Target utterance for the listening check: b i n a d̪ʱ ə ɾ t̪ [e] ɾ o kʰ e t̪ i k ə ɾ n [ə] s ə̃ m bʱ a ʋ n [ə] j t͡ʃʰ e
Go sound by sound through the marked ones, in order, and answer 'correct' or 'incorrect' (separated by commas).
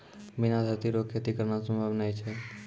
incorrect, incorrect, incorrect